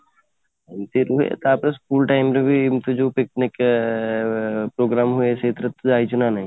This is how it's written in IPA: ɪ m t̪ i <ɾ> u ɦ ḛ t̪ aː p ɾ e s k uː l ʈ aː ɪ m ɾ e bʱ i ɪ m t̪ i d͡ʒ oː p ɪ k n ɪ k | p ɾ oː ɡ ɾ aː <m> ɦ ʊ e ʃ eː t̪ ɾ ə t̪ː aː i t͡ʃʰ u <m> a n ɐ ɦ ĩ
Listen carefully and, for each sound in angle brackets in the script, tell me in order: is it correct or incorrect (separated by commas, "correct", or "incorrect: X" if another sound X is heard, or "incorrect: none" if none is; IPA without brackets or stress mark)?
correct, correct, incorrect: n